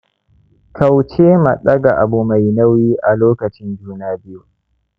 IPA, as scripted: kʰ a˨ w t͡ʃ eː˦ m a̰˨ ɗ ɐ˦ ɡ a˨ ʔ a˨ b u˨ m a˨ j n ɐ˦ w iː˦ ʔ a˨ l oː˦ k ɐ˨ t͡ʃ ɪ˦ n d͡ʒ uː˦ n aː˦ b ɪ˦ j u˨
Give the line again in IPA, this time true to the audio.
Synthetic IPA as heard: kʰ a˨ w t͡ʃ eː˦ m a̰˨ ɗ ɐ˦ ɡ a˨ ʔ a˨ b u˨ m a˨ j n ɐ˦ w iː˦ ʔ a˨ l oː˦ k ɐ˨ t͡ʃ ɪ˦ n d͡ʒ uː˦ n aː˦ b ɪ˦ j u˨